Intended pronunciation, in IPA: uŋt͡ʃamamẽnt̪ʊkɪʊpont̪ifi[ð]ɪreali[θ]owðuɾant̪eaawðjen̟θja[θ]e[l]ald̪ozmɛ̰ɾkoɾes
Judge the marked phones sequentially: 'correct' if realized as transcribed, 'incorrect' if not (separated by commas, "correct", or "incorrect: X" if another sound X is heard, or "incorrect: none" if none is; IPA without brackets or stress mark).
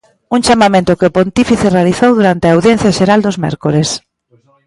incorrect: θ, correct, incorrect: ʃ, incorrect: ɾ